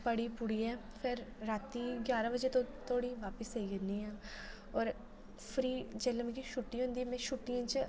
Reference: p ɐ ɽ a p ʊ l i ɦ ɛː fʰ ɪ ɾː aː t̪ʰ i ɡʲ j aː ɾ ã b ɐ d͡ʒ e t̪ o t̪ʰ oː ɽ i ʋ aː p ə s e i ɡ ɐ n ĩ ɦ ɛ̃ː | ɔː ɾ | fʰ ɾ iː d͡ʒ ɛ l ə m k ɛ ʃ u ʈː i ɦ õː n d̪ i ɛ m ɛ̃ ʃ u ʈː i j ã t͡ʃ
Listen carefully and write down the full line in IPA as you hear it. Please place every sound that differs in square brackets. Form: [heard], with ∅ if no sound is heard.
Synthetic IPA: p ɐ ɽ [i] p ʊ [ɽ] i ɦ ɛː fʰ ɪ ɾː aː [t̪] i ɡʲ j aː ɾ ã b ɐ d͡ʒ e t̪ o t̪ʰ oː ɽ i ʋ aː p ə s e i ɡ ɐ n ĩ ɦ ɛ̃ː | ɔː ɾ | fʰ ɾ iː d͡ʒ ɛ l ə m k [i] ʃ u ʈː i ɦ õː n d̪ i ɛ m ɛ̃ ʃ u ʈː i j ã t͡ʃ